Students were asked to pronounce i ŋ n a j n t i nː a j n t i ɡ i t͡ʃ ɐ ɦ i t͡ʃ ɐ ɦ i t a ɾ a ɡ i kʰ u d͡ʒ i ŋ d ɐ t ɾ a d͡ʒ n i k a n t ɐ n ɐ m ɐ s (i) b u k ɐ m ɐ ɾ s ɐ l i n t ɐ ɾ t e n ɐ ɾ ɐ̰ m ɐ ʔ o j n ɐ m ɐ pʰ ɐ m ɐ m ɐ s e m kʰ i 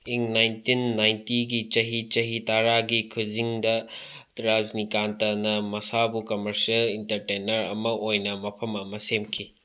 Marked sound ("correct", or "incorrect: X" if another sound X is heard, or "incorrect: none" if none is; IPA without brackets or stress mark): incorrect: a